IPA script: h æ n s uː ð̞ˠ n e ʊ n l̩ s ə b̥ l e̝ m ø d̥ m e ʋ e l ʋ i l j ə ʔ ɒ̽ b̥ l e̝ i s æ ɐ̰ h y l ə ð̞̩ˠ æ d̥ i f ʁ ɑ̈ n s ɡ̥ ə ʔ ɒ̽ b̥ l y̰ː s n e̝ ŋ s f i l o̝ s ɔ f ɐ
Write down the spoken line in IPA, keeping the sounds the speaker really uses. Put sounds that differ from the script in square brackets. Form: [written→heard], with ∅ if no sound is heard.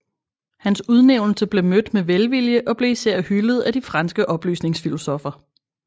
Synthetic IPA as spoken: h æ n s [uː→u] ð̞ˠ n e ʊ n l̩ s ə b̥ l e̝ m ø d̥ m e ʋ e l ʋ i l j ə ʔ ɒ̽ b̥ l e̝ i s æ ɐ̰ h y l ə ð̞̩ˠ æ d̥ i f ʁ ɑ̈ n s ɡ̥ ə ʔ ɒ̽ b̥ l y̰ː s n e̝ ŋ s f i l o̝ s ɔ f ɐ